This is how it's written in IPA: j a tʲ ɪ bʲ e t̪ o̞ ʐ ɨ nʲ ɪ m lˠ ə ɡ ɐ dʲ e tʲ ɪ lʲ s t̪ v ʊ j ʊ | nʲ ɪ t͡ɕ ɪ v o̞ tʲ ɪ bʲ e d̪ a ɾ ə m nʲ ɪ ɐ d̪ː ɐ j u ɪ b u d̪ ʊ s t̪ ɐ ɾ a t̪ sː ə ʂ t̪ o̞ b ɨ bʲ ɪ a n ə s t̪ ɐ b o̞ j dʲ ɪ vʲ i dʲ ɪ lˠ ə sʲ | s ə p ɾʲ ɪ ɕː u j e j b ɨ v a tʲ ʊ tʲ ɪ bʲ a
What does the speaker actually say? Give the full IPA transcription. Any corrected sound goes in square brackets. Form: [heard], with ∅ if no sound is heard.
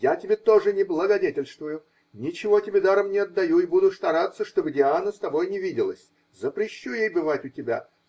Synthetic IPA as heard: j a tʲ ɪ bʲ e t̪ o̞ ʐ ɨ nʲ ɪ [b] lˠ ə ɡ ɐ dʲ e tʲ ɪ lʲ s t̪ v ʊ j ʊ | nʲ ɪ t͡ɕ ɪ v o̞ tʲ ɪ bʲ e d̪ a ɾ ə m nʲ ɪ ɐ d̪ː ɐ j u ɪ b u d̪ ʊ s t̪ ɐ ɾ a t̪ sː ə ʂ t̪ o̞ b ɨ [dʲ] ɪ a n ə s t̪ ɐ b o̞ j [nʲ] ɪ vʲ i dʲ ɪ lˠ ə sʲ | [z] ə p ɾʲ ɪ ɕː u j e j b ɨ v a tʲ ʊ tʲ ɪ bʲ a